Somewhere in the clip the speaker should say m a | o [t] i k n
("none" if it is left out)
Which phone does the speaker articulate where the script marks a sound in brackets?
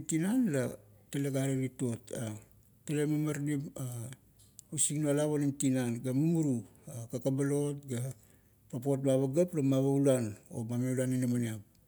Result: s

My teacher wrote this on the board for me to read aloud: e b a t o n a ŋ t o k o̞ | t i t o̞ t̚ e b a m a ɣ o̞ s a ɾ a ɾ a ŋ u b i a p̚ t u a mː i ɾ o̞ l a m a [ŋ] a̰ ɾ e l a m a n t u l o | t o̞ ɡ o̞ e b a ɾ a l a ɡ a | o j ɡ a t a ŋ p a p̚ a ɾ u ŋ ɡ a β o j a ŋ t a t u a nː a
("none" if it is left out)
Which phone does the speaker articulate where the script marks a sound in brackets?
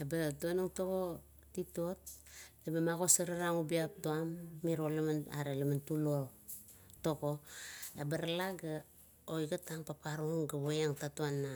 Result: n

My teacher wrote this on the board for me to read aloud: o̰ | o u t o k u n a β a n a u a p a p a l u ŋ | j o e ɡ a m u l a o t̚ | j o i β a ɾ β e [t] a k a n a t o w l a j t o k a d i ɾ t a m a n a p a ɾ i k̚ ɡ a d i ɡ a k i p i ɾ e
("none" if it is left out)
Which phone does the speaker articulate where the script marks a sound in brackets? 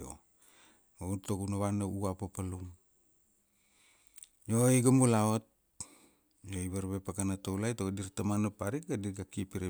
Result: p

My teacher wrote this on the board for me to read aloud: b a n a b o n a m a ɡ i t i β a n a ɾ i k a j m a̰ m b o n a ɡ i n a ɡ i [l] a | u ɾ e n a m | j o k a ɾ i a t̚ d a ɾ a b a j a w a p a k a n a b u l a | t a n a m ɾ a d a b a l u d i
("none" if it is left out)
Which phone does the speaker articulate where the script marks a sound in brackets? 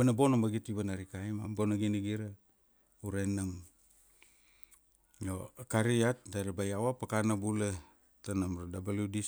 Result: ɾ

